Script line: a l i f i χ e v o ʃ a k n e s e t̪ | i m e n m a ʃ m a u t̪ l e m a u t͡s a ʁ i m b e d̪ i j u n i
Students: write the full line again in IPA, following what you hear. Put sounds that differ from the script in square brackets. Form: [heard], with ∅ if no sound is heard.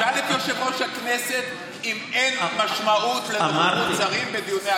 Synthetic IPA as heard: a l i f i [ʃ] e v o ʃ a k n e s e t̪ | i m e n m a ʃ m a u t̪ l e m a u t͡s a ʁ i m b e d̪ i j u n [e]